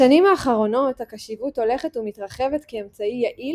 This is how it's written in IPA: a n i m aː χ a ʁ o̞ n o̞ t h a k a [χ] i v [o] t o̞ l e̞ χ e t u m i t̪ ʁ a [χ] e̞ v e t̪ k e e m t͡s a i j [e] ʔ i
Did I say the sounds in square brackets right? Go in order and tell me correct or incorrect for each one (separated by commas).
incorrect, incorrect, correct, incorrect